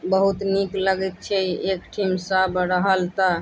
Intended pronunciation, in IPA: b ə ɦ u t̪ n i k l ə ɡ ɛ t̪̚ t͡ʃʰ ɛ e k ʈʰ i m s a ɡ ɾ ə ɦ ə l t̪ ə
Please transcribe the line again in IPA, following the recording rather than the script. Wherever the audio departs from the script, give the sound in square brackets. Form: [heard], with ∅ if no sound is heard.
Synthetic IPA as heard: b ə ɦ u t̪ n i k l ə ɡ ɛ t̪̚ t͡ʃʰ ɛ e k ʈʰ i m s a [b] ɾ ə ɦ ə l t̪ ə